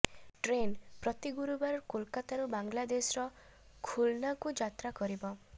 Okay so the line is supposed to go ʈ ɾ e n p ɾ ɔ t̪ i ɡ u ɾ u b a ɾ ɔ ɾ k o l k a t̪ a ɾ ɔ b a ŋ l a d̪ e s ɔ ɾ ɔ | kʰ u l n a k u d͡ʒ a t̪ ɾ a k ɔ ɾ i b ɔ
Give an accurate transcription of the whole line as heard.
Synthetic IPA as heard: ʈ ɾ e n p ɾ ɔ t̪ i ɡ u ɾ u b a ɾ ɔ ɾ k o l k a t̪ a ɾ u b a ŋ l a d̪ e s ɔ ɾ ɔ | kʰ u l n a k u d͡ʒ a t̪ ɾ a k ɔ ɾ i b ɔ